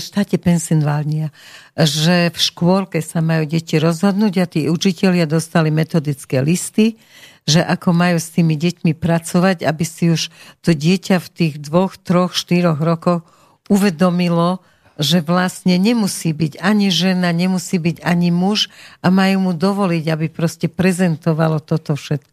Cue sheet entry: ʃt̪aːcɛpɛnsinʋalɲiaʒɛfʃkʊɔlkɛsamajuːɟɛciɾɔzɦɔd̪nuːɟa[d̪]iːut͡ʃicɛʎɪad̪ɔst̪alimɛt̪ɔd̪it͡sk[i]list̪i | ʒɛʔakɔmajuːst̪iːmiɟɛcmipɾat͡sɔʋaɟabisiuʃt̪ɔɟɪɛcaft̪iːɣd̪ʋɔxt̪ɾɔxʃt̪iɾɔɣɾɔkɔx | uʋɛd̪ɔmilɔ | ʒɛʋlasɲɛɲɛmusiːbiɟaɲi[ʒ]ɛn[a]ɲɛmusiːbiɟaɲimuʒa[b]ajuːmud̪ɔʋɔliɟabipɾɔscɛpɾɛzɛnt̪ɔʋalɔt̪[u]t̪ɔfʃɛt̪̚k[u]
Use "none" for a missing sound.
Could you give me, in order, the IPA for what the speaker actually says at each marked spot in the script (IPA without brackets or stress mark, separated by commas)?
t̪, ɛ, ʒ, a, m, ɔ, ɔ